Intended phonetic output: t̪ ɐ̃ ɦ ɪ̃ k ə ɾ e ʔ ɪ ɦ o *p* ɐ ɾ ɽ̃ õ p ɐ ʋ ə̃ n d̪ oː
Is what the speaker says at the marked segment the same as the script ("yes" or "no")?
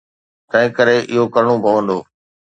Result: no